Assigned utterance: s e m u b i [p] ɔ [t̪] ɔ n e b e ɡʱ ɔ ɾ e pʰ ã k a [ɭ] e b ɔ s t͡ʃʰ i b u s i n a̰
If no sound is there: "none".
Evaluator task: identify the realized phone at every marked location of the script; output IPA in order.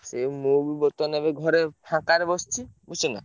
b, t̪, ɾ

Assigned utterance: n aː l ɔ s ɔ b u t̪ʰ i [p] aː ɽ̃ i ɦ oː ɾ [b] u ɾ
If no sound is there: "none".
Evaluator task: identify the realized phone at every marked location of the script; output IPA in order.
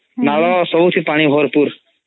p, p

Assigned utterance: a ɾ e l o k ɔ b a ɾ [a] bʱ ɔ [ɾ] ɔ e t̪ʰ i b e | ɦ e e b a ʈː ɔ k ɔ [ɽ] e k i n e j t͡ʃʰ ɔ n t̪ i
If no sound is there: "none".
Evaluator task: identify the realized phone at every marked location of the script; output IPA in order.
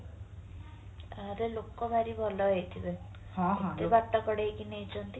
i, l, ɽ

